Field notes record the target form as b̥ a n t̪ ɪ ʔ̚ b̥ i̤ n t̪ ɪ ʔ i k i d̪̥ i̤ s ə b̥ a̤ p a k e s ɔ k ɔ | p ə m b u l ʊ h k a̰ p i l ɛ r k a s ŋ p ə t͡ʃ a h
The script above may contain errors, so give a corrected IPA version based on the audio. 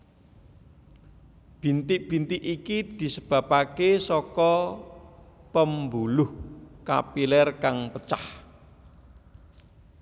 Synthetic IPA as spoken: b̥ i n t̪ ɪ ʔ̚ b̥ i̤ n t̪ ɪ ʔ i k i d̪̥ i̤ s ə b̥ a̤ p a k e s ɔ k ɔ | p ə m b u l ʊ h k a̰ p i l ɛ r k a ŋ p ə t͡ʃ a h